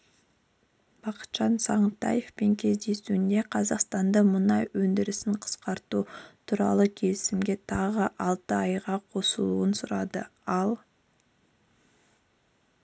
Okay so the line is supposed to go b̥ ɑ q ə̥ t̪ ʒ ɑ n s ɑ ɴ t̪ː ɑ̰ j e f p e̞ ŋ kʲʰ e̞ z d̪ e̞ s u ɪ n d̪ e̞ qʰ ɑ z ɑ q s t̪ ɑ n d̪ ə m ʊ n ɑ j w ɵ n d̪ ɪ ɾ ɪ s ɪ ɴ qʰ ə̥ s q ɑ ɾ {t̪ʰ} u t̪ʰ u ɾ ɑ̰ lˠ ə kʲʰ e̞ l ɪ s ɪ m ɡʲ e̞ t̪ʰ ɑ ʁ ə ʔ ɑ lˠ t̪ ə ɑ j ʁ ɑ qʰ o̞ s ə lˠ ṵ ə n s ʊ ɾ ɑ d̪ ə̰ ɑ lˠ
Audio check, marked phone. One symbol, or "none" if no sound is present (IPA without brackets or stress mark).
t̪